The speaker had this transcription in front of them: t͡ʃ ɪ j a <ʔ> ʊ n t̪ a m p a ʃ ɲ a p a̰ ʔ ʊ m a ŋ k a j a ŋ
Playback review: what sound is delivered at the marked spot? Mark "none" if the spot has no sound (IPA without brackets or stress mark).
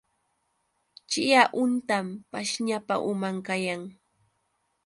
ʔ